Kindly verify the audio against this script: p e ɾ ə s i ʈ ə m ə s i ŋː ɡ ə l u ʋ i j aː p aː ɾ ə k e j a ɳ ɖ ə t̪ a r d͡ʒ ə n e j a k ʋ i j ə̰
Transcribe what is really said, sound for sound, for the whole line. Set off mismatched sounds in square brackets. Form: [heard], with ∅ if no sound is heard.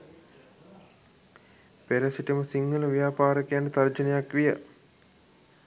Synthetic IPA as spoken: p e ɾ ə s i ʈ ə m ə s i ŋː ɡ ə l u ʋ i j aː p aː ɾ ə k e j a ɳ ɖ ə t̪ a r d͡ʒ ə n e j a k ʋ i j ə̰